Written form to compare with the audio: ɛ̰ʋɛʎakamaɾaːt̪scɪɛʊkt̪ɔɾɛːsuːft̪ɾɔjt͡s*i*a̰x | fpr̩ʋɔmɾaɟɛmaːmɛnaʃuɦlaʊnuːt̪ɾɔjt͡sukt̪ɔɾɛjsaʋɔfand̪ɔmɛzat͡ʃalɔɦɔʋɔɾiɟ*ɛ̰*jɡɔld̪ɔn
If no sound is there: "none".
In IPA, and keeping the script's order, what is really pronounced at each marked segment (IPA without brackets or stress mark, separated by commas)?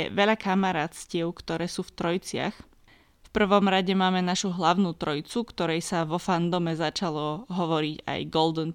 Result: ɪ, a̰